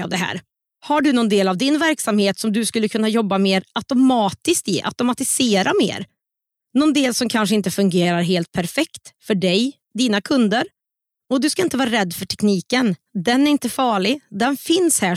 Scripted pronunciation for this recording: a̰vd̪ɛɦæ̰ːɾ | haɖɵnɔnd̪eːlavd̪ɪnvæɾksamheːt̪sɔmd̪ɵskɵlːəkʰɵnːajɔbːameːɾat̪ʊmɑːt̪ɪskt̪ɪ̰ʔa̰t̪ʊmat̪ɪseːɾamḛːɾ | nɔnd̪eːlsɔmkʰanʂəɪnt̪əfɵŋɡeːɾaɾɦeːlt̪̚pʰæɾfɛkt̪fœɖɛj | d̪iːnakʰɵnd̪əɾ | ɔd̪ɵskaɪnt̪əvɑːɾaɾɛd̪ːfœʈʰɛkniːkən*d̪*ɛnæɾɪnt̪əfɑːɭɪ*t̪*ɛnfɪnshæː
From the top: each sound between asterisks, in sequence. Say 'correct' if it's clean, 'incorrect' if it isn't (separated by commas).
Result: correct, incorrect